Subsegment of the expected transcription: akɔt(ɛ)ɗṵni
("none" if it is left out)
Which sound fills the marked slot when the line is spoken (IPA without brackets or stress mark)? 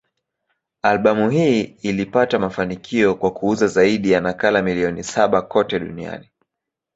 ɛ